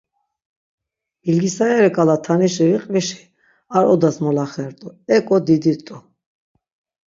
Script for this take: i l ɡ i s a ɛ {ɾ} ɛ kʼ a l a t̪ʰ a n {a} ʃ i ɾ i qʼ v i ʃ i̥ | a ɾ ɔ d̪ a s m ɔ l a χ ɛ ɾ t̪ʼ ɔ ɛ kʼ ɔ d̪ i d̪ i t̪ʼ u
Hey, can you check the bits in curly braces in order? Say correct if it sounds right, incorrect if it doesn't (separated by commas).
correct, incorrect